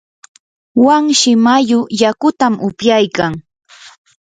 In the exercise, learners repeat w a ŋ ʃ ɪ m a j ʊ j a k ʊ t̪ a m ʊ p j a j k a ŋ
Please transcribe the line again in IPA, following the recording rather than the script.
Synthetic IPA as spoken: w a ŋ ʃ ɪ m a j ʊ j a k ʊ t̪ a m ʊ p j a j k a ŋ